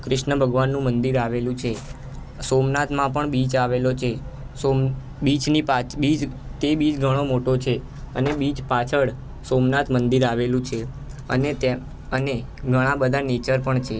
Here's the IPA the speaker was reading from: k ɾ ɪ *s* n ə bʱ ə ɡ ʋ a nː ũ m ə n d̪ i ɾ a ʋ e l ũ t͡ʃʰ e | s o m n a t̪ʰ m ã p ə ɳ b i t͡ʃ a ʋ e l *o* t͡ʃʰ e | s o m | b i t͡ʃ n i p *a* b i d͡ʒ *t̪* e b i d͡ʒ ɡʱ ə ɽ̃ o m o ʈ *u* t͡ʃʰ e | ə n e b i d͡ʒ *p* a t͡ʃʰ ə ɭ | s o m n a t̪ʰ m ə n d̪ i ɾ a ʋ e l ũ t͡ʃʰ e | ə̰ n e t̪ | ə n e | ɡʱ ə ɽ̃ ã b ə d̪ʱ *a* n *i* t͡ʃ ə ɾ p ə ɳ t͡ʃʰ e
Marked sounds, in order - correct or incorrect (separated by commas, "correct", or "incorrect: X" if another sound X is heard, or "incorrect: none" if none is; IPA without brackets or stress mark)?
incorrect: ʃ, correct, correct, correct, incorrect: o, correct, correct, incorrect: e